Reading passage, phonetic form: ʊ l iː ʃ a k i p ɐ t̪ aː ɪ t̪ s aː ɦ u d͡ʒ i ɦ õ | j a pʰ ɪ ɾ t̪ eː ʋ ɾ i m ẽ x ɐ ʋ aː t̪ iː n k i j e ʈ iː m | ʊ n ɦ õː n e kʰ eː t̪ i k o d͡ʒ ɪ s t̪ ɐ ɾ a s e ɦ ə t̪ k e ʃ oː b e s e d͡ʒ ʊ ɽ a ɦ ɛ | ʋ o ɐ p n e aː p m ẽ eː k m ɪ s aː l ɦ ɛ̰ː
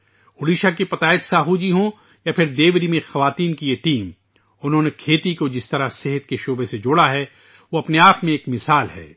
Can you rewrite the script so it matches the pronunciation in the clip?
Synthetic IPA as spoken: ʊ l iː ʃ a k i p ɐ t̪ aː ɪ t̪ s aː ɦ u d͡ʒ i ɦ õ | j a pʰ ɪ ɾ d̪ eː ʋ ɾ i m ẽ x ɐ ʋ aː t̪ iː n k i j e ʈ iː m | ʊ n ɦ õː n e kʰ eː t̪ i k o d͡ʒ ɪ s t̪ ɐ ɾ a s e ɦ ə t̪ k e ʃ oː b e s e d͡ʒ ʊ ɽ a ɦ ɛ | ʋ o ɐ p n e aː p m ẽ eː k m ɪ s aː l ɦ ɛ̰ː